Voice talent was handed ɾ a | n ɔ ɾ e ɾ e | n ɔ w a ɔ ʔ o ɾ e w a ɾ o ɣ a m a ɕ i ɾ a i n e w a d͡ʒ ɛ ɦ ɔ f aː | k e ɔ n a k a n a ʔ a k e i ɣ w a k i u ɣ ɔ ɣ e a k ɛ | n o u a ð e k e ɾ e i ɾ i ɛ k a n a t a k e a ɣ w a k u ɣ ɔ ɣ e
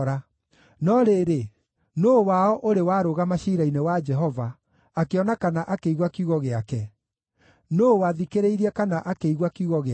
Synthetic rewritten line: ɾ a | n ɔ ɾ e ɾ e | n o w a ɔ ʔ o ɾ e w a ɾ o ɣ a m a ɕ i ɾ a i n e w a d͡ʒ ɛ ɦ ɔ v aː | k e ɔ n a k a n a ʔ a k e i ɣ w a k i u ɣ ɔ ɣ e a k ɛ | n o w a ð i k e ɾ e i ɾ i ɛ k a n a ʔ a k e i ɣ w a k u ɣ ɔ ɣ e